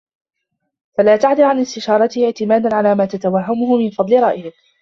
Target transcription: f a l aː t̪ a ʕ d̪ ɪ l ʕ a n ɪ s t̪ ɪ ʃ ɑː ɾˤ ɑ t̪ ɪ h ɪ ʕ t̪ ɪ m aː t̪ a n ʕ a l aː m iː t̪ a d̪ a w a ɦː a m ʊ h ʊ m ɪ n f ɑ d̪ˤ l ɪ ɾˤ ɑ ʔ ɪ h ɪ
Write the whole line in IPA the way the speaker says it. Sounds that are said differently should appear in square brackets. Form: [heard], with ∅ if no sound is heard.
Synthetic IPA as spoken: f a l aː t̪ a ʕ d̪ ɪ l ʕ a n ɪ s t̪ ɪ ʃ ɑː ɾˤ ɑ t̪ ɪ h ɪ ʕ t̪ ɪ m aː [d̪] a n ʕ a l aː m [aː] t̪ a [t̪] a w a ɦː a m ʊ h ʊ m ɪ n f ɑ d̪ˤ l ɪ ɾˤ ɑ ʔ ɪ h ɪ